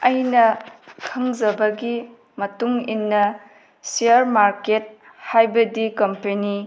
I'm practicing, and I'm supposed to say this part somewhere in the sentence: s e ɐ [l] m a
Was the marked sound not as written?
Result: yes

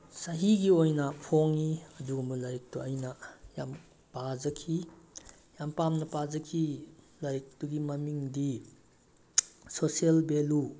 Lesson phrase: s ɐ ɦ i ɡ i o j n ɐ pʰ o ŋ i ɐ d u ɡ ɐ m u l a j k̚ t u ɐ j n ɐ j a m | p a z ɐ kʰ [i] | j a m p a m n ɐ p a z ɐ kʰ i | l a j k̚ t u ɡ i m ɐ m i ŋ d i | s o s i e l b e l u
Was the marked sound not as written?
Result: no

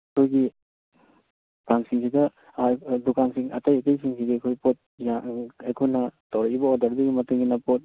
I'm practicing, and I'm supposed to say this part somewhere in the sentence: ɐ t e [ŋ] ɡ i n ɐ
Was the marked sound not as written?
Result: no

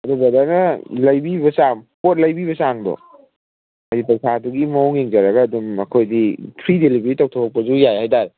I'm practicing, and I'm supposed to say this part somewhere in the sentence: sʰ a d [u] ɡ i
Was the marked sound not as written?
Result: no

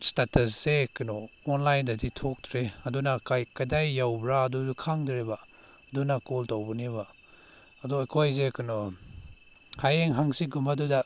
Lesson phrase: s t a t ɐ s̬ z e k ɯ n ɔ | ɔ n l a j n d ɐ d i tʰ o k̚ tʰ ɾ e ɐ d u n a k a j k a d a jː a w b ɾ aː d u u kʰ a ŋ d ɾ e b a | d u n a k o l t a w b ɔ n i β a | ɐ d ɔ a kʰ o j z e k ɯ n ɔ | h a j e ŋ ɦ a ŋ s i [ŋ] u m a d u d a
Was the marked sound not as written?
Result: yes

